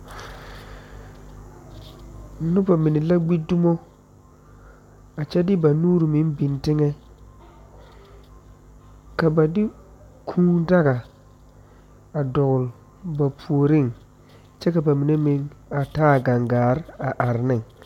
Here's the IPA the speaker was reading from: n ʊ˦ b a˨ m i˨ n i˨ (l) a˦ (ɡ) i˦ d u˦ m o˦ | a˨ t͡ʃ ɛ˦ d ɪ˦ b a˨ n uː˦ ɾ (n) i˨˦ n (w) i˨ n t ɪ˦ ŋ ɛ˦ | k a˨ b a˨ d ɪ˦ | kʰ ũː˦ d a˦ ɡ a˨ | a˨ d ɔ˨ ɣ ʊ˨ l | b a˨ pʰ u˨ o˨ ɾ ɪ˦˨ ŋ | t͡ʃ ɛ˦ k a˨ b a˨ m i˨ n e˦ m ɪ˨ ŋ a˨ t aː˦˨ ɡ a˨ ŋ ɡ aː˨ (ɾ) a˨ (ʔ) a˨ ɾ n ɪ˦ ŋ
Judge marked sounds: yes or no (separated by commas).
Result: yes, no, no, no, yes, yes